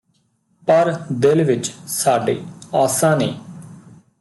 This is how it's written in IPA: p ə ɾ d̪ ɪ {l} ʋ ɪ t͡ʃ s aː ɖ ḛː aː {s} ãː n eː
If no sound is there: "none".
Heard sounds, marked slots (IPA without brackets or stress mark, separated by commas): l, s